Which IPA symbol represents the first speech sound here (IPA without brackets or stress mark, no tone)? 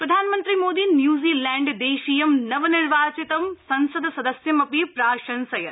p